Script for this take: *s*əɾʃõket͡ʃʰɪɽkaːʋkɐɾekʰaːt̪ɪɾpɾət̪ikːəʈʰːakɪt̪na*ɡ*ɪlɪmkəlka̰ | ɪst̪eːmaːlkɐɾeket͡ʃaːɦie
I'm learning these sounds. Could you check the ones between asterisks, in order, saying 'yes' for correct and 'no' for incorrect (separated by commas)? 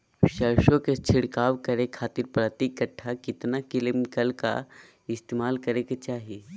no, no